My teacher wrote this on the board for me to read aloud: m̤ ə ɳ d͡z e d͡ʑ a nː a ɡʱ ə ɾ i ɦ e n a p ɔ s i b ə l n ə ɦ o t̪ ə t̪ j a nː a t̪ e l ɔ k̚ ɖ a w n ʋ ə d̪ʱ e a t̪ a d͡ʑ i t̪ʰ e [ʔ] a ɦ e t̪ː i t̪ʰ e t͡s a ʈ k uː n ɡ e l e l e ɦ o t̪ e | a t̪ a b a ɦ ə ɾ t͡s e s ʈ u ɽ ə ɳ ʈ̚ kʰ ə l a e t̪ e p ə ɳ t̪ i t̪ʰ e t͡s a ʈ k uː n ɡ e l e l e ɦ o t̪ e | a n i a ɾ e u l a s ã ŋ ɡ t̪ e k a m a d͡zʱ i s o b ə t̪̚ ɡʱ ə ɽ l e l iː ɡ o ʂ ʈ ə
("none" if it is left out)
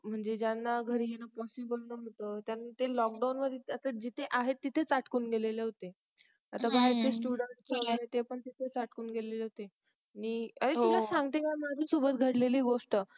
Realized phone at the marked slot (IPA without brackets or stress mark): ʔ